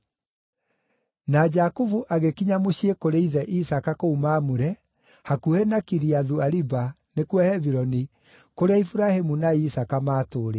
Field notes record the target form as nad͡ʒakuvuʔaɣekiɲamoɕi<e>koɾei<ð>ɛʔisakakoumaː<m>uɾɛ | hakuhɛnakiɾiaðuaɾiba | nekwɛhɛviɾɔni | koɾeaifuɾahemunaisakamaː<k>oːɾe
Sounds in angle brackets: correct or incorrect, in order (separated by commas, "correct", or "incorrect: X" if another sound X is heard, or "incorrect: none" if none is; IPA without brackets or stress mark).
correct, correct, correct, incorrect: t